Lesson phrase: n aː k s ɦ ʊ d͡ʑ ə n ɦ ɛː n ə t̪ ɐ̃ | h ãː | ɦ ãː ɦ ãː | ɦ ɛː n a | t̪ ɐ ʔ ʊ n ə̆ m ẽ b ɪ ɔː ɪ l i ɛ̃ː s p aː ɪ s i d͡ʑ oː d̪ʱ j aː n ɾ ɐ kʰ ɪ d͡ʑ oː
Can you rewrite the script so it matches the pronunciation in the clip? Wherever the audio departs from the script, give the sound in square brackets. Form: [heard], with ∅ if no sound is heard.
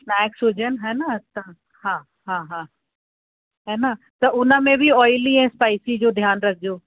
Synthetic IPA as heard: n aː k s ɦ ʊ d͡ʑ ə n ɦ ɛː n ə t̪ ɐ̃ | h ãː | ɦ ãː ɦ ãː | ɦ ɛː n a | t̪ ɐ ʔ ʊ n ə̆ m ẽ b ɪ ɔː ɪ l i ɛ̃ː s p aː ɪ s i d͡ʑ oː d̪ʱ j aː n ɾ ɐ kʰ ɪ d͡ʑ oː